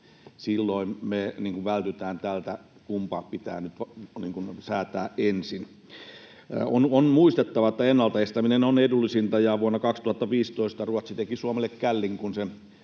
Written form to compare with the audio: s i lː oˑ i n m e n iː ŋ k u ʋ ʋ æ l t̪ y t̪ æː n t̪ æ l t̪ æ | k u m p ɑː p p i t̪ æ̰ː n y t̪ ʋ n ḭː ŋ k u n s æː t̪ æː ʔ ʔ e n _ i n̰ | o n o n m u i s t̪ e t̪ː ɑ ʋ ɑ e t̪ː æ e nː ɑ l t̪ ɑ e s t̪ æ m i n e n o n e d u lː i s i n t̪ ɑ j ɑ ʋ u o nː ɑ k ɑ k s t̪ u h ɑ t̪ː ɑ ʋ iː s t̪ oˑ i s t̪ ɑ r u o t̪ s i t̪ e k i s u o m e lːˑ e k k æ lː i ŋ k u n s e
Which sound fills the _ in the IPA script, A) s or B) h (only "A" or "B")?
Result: A